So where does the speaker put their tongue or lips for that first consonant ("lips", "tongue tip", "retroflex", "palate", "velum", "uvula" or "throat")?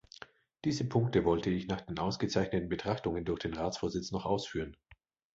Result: tongue tip